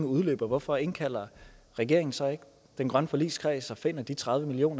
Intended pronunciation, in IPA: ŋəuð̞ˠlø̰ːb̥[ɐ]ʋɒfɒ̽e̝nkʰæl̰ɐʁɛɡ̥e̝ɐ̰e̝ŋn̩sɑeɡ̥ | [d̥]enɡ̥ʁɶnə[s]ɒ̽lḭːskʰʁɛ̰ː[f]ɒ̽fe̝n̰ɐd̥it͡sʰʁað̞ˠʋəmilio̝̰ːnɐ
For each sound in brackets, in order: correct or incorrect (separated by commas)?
correct, correct, incorrect, incorrect